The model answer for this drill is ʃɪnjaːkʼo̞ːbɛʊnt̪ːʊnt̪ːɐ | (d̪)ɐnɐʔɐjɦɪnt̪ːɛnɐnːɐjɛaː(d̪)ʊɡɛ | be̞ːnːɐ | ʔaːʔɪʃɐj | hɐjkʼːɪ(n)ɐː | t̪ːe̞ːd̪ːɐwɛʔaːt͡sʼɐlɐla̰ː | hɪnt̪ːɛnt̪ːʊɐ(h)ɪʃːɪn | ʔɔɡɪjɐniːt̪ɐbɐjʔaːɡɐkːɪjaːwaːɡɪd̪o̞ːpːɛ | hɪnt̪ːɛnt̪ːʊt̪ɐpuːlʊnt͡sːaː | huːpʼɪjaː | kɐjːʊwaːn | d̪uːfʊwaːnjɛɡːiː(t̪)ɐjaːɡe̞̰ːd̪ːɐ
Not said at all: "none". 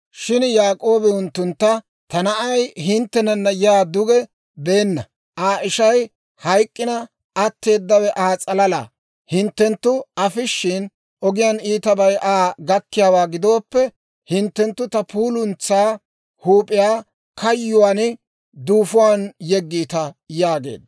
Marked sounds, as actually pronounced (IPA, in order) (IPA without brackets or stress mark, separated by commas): t̪, d̪, n, f, t̪